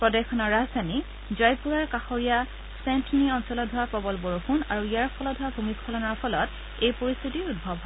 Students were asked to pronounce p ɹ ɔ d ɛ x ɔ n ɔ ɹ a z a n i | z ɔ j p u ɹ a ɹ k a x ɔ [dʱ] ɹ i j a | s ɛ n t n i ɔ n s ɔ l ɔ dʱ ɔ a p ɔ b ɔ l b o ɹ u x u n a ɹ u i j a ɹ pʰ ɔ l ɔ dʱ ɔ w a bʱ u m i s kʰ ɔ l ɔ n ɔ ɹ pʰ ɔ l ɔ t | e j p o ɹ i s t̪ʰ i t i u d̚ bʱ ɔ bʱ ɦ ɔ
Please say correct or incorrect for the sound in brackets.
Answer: incorrect